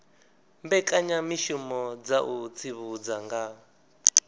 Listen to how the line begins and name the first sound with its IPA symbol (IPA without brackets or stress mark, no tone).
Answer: m